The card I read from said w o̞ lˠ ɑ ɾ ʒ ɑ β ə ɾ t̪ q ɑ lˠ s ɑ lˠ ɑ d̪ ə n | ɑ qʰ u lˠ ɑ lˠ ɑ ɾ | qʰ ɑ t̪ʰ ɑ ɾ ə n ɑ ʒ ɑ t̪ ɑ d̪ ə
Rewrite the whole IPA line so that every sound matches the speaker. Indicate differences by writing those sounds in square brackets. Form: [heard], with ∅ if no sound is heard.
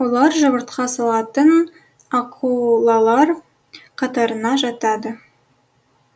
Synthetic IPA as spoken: w o̞ lˠ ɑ ɾ ʒ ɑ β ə ɾ t̪ q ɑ [∅] s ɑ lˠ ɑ [t̪] ə n | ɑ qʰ u lˠ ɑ lˠ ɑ ɾ | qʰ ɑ [t̪] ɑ ɾ ə n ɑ ʒ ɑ t̪ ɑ d̪ ə